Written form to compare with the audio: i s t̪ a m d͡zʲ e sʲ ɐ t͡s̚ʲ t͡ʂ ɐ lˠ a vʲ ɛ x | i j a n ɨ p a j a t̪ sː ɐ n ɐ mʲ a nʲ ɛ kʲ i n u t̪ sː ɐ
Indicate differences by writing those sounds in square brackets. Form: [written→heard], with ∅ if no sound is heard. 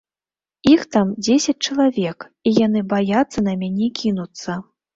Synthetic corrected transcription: i [s→x] t̪ a m d͡zʲ e sʲ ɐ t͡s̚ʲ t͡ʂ ɐ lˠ a vʲ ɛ [x→k] | i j a n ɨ [p→b] a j a t̪ sː ɐ n ɐ mʲ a nʲ ɛ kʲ i n u t̪ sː ɐ